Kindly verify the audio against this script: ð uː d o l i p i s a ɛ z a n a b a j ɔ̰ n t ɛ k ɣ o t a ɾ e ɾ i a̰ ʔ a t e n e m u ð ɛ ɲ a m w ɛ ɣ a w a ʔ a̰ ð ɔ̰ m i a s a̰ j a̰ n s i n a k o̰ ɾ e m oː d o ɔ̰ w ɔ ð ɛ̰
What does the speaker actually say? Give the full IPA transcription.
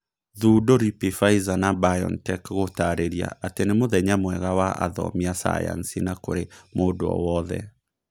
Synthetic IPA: ð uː d o ɾ i p i f a i z a n a b a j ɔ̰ n t ɛ k ɣ o t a ɾ e ɾ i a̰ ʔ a t e n e m o ð ɛ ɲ a m w ɛ ɣ a w a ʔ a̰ ð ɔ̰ m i a s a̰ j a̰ n s i n a k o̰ ɾ e m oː d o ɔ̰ w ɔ ð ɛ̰